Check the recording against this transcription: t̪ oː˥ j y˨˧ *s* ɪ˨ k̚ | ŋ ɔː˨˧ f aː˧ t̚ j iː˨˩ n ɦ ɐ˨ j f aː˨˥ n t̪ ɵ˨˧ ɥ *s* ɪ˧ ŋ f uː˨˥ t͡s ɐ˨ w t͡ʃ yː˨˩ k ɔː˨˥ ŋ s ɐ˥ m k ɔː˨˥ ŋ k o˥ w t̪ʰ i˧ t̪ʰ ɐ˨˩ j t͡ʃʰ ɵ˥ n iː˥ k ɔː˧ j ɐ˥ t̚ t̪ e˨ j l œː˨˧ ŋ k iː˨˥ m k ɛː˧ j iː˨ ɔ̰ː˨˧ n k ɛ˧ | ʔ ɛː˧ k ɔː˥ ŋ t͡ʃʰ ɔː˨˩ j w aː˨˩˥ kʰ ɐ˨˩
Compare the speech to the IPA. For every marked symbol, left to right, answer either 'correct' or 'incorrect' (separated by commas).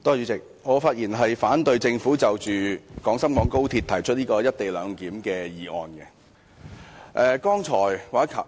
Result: incorrect, incorrect